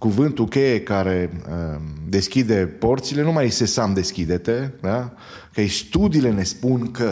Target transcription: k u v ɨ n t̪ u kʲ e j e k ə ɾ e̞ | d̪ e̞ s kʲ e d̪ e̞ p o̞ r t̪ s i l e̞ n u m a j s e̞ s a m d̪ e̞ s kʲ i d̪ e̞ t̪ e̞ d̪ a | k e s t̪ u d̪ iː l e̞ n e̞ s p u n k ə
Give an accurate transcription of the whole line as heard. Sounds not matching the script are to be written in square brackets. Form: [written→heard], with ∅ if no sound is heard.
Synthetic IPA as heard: k u v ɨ n t̪ u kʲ e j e k [ə→a] ɾ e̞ | d̪ e̞ s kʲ [e→i] d̪ e̞ p o̞ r t̪ s i l e̞ n u m a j s e̞ s a m d̪ e̞ s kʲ i d̪ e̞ t̪ e̞ d̪ a | k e s t̪ u d̪ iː l e̞ n e̞ s p u n k ə